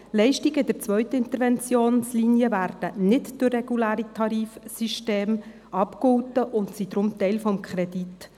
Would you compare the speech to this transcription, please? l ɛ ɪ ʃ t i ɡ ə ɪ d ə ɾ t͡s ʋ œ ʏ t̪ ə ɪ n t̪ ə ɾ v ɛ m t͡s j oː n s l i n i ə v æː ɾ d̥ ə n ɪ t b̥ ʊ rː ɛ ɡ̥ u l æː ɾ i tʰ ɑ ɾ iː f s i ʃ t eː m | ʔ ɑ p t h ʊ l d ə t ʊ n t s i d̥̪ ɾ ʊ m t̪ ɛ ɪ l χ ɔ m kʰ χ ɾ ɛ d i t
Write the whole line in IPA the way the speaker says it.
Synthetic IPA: l ɛ ɪ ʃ t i ɡ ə ɪ d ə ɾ t͡s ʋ œ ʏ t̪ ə ɪ n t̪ ə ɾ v ɛ n t͡s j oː n s l i n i ə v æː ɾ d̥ ə n ɪ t d̥ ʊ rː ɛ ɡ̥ u l æː ɾ i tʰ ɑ ɾ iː f s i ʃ t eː m | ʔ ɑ p k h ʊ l t ə ʔ ʊ n t s i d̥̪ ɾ ʊ m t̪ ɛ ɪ l f ɔ m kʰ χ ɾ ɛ d i t